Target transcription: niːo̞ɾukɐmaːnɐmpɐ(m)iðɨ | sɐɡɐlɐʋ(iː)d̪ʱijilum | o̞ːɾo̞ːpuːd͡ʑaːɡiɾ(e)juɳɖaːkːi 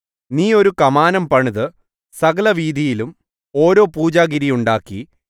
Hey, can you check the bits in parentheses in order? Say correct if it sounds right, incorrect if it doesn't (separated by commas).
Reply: incorrect, correct, incorrect